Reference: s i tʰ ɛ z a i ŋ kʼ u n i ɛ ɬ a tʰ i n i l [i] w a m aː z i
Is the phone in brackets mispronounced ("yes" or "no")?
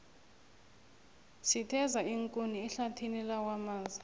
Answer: yes